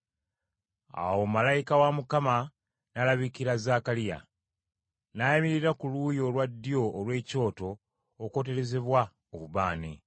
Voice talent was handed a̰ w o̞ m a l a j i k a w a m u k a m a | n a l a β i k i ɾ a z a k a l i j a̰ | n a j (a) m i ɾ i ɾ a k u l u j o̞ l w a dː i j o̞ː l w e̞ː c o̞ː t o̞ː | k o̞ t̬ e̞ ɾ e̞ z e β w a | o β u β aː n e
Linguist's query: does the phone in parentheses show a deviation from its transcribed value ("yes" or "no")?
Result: no